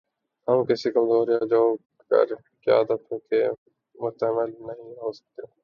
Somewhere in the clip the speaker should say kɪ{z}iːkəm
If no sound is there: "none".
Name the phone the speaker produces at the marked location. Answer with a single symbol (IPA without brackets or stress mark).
s